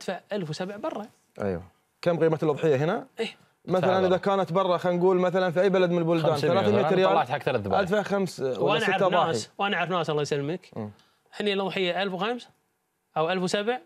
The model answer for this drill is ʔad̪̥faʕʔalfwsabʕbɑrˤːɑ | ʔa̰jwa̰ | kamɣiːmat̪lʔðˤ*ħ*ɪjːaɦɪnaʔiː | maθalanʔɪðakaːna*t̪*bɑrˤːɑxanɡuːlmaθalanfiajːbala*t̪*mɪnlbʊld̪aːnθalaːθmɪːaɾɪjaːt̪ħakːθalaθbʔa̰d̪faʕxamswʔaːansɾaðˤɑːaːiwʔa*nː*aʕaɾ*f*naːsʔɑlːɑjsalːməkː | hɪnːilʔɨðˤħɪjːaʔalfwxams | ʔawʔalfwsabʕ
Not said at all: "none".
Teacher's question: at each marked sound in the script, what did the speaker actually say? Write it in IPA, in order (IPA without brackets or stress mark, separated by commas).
ħ, t̪, d̪, n, f